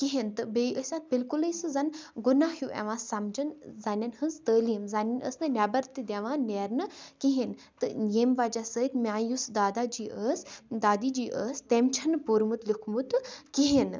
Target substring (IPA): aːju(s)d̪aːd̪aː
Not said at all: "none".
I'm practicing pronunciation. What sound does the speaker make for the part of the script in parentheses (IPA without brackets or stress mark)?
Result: s